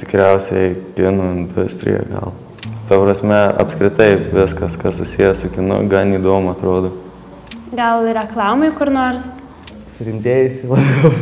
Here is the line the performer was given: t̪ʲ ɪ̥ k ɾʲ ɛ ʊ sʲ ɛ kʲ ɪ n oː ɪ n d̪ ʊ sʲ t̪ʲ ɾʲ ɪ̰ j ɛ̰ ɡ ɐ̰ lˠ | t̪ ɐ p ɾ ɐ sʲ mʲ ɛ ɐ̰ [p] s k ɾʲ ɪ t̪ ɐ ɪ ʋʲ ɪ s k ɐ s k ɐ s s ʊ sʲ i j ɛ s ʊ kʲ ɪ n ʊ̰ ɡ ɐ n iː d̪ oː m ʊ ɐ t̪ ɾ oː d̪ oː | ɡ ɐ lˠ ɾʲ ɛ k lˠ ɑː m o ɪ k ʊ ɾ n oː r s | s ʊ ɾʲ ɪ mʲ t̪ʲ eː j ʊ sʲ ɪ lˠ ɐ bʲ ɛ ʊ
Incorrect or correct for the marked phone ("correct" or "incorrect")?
correct